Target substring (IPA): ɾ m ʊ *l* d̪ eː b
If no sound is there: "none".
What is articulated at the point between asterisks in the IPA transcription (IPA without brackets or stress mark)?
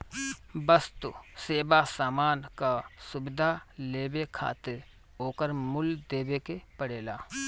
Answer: l